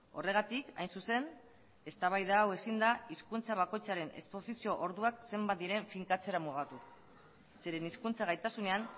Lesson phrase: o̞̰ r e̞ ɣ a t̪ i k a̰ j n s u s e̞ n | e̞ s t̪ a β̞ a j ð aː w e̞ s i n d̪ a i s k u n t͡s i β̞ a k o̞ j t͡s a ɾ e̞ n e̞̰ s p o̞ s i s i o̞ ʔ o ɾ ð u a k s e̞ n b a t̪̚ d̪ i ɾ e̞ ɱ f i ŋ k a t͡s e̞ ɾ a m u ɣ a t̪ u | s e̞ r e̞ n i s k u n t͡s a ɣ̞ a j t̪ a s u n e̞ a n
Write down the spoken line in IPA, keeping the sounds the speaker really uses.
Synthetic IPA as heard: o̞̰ r e̞ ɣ a t̪ i k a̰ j n s u s e̞ n | e̞ s t̪ a β̞ a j ð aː w e̞ s i n d̪ a i s k u n t͡s a β̞ a k o̞ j t͡s a ɾ e̞ n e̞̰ s p o̞ s i s i o̞ ʔ o ɾ ð u a k s e̞ m b a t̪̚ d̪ i ɾ e̞ ɱ f i ŋ k a t͡s e̞ ɾ a m u ɣ a t̪ u | s e̞ ɾ e̞ n i s k u n t͡s a ɣ̞ a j t̪ a s u n e̞ a n